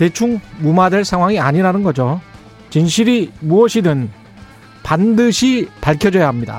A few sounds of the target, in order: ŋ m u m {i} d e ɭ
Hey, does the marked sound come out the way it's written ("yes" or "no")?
no